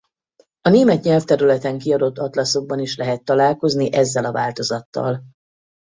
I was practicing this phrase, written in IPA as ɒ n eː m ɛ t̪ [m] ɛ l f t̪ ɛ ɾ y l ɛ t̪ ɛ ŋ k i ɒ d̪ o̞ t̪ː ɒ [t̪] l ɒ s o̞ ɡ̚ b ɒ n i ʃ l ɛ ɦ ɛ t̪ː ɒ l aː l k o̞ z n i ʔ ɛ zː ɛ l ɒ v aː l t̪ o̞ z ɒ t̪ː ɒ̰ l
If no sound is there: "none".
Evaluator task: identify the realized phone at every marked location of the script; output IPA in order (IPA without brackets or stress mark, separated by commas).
ɲ, t̪